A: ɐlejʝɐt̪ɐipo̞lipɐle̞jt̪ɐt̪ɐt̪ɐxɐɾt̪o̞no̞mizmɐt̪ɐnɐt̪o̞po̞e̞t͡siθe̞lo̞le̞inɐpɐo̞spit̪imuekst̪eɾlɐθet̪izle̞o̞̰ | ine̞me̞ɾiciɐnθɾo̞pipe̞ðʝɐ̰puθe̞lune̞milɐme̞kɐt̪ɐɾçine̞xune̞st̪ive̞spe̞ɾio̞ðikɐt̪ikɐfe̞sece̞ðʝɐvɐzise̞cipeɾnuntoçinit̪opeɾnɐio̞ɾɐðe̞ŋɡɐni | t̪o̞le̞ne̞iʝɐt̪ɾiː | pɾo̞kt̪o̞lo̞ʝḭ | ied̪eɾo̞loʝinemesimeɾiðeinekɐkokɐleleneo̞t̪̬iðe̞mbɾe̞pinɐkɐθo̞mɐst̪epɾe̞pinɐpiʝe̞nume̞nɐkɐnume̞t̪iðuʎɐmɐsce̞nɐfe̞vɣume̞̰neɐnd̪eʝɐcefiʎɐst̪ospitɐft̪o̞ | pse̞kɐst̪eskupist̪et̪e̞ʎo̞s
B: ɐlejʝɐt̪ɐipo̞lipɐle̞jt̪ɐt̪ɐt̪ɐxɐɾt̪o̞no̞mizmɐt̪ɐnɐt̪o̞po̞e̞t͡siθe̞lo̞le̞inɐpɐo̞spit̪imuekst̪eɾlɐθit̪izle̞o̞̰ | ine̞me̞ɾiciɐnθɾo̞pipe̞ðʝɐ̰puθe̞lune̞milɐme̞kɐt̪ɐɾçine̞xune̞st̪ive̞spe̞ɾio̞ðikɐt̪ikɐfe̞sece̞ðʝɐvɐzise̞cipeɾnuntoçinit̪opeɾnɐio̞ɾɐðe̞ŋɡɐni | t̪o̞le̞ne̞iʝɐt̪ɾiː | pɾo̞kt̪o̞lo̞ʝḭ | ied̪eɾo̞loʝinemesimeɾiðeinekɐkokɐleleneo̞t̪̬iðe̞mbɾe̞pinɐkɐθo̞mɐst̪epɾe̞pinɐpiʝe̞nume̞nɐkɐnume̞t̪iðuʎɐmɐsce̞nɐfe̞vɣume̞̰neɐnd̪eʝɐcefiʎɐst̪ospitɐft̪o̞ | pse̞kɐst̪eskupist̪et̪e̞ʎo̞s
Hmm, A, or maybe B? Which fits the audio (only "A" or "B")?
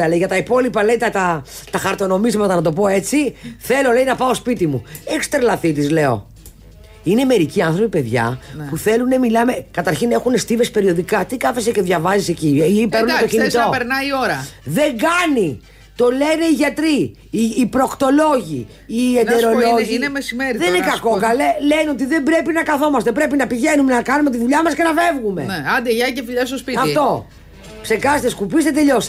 B